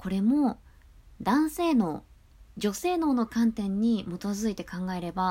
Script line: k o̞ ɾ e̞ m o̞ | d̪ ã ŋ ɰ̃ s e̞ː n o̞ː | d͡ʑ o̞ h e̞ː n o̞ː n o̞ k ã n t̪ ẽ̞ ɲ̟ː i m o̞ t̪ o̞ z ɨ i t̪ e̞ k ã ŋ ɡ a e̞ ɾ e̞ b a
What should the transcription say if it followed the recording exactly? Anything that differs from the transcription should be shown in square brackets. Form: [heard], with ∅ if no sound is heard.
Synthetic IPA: k o̞ ɾ e̞ m o̞ | d̪ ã [∅] ɰ̃ s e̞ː n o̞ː | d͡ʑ o̞ [s] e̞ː n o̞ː n o̞ k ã n t̪ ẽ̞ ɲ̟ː i m o̞ t̪ o̞ z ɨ i t̪ e̞ k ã ŋ ɡ a e̞ ɾ e̞ b a